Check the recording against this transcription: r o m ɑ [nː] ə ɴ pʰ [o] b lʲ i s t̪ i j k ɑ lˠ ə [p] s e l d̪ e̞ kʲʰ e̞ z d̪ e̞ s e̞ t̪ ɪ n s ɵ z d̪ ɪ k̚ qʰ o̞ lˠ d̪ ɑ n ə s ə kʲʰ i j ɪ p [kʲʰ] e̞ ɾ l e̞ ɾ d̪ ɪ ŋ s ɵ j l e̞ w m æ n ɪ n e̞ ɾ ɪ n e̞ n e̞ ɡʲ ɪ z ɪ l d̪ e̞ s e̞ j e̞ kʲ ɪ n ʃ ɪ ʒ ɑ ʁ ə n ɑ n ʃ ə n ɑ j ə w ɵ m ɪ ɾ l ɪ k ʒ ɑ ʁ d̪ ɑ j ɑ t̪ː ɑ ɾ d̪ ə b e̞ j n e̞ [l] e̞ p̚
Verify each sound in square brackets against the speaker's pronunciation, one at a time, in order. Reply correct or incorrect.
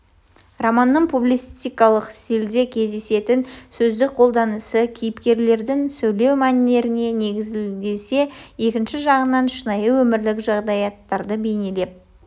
correct, incorrect: u, incorrect: q, incorrect: kʲ, correct

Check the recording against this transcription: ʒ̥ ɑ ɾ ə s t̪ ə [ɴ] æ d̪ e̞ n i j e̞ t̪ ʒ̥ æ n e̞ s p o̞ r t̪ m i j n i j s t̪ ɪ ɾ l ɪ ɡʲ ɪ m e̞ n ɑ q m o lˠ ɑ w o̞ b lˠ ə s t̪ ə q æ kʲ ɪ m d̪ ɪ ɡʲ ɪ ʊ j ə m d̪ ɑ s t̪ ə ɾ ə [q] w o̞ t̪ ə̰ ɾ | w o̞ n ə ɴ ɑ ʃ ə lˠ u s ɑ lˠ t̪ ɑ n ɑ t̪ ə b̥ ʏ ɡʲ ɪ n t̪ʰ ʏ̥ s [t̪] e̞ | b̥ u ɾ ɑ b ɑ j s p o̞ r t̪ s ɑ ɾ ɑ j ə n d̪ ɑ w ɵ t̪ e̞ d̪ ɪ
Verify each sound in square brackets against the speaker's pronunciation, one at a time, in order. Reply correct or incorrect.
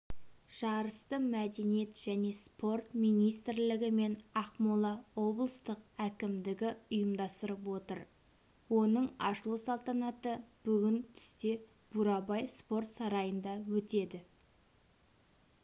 incorrect: m, incorrect: p, correct

